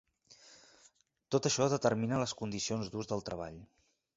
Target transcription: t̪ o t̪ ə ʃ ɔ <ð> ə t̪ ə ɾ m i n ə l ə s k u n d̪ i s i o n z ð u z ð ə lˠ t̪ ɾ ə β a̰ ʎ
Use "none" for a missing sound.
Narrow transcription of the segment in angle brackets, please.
ð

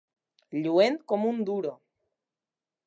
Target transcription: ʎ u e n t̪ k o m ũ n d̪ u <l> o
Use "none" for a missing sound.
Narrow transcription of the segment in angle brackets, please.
ɾ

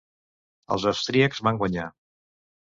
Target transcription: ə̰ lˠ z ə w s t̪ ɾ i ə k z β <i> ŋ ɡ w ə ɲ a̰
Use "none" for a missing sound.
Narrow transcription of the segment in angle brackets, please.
a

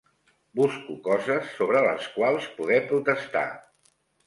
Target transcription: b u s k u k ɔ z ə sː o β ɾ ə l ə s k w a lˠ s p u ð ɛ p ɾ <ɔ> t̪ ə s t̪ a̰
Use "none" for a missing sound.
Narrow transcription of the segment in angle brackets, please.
u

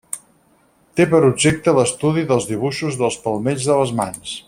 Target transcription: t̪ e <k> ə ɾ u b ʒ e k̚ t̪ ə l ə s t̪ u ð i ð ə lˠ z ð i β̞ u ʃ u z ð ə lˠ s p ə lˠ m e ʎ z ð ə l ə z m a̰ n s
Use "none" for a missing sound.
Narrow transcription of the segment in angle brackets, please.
p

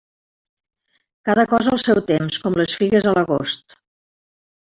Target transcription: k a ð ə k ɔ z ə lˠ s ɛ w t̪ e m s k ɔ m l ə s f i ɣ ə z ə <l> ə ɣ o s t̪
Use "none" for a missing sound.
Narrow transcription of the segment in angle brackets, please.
l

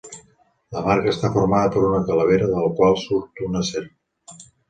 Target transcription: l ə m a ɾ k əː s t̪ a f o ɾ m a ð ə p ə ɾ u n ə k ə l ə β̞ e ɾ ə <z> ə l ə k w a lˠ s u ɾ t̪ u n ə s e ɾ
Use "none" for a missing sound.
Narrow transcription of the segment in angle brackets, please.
ð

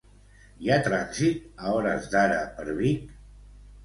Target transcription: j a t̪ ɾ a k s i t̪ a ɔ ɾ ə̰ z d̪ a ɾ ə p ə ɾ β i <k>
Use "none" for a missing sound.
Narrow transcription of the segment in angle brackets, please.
k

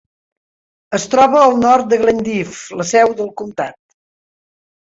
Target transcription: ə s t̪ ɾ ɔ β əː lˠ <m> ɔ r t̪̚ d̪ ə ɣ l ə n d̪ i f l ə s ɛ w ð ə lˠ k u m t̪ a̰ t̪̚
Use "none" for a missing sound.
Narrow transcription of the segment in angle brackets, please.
n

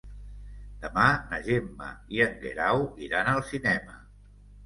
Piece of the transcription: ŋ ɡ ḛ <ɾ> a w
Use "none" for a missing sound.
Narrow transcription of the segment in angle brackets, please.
ɾ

